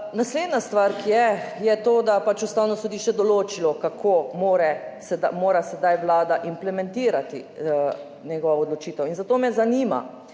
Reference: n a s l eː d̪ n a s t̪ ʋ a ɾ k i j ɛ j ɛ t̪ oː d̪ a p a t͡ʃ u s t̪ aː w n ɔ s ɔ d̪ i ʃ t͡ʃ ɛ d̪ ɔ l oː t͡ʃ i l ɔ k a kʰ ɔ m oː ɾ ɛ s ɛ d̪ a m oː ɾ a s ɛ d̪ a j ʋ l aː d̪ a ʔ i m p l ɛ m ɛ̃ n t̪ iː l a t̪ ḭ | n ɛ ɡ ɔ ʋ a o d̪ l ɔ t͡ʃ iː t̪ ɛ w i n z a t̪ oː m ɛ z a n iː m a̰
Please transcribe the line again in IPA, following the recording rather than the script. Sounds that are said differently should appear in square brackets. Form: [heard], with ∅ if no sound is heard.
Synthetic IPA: n a s l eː d̪ n a s t̪ ʋ a ɾ k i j ɛ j ɛ t̪ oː d̪ a p a t͡ʃ u s t̪ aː w n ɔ s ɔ d̪ i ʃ t͡ʃ ɛ d̪ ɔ l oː t͡ʃ i l ɔ k a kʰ [o] m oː ɾ ɛ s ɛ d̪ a m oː ɾ a s ɛ d̪ a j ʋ l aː d̪ a ʔ i m p l ɛ m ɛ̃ n t̪ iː [ɾ] a t̪ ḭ | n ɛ ɡ ɔ ʋ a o d̪ l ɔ t͡ʃ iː t̪ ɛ w i n z a t̪ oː m ɛ z a n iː m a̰